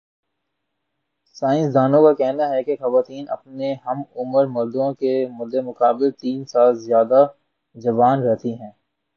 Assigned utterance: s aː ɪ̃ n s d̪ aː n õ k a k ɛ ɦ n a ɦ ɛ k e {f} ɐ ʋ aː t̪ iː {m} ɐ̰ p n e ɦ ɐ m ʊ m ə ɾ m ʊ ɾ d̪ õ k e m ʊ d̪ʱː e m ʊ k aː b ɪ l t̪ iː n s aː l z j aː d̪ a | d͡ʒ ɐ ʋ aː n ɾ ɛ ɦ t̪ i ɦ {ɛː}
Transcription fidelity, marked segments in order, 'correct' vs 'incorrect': incorrect: x, incorrect: n, incorrect: ɛ̃ː

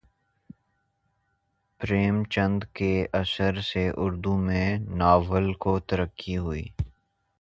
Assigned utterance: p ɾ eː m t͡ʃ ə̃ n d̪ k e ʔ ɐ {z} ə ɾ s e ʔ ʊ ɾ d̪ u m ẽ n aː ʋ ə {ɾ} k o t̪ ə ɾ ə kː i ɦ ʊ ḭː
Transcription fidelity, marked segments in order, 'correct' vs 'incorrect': incorrect: s, incorrect: l

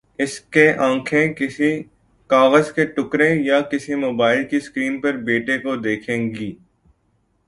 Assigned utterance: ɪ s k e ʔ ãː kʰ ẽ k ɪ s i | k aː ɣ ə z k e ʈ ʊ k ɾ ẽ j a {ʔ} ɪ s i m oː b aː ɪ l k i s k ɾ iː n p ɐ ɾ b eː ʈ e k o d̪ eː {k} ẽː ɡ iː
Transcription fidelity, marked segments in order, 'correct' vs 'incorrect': incorrect: k, incorrect: kʰ

